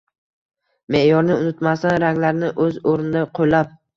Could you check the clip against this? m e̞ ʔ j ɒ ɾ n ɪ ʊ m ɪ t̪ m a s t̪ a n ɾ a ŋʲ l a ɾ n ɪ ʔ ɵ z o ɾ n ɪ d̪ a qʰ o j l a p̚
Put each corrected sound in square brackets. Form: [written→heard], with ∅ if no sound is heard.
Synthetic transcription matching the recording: m e̞ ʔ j ɒ ɾ n ɪ ʊ [m→n] ɪ t̪ m a s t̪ a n ɾ a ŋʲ l a ɾ n ɪ ʔ ɵ z o ɾ n ɪ d̪ a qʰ o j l a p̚